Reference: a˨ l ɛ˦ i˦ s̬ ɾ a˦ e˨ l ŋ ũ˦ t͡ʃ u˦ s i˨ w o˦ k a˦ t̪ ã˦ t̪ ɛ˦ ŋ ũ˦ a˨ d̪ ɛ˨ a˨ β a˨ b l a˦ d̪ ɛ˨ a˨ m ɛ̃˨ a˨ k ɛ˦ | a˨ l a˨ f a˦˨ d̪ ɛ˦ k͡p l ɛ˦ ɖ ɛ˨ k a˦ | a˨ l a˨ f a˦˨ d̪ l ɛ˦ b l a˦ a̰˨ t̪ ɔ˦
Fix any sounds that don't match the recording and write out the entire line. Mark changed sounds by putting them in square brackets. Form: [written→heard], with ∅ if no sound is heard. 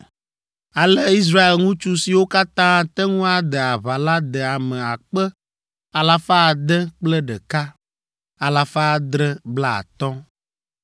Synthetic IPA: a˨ l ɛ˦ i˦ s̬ ɾ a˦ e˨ l ŋ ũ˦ t͡ʃ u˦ s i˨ w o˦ k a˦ t̪ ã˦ t̪ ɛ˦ ŋ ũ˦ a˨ d̪ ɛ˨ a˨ β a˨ [b→∅] l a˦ d̪ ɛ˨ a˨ m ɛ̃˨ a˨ [k→k͡p] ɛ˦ | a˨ l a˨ f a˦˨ d̪ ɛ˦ k͡p l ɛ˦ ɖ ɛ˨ k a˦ | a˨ l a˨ f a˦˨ d̪ [l→ɾ] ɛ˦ b l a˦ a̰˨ t̪ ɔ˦